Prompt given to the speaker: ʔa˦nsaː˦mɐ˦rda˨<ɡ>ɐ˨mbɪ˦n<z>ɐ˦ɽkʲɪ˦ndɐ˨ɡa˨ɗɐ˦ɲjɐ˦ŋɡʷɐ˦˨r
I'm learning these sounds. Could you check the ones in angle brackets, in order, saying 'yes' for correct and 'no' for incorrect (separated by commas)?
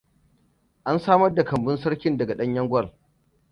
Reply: no, no